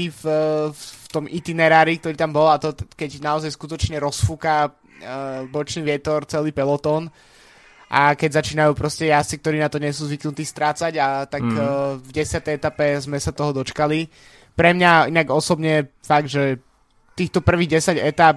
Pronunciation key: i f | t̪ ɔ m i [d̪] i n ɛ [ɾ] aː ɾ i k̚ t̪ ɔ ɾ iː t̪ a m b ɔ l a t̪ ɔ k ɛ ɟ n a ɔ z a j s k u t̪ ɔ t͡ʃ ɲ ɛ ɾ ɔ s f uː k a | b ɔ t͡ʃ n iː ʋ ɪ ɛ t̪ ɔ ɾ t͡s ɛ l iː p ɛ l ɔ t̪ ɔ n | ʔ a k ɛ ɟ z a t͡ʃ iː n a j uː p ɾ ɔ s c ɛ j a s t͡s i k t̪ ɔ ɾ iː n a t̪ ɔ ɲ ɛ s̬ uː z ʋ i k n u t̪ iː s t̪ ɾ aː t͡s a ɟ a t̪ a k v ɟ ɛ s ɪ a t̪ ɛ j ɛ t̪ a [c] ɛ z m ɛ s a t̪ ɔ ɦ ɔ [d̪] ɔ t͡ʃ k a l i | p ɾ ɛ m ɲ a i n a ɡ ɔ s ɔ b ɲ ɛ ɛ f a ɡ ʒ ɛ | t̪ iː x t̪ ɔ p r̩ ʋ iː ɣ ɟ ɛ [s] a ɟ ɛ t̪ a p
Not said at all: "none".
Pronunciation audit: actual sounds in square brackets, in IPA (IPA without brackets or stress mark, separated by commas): t̪, ɾ, p, d̪, s